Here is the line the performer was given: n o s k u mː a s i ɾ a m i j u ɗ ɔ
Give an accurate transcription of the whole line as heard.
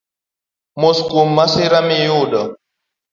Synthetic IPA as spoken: m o s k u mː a s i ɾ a m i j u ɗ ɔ